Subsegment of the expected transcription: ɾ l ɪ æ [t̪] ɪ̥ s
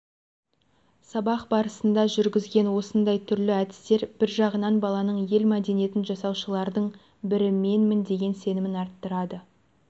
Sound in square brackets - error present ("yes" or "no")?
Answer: yes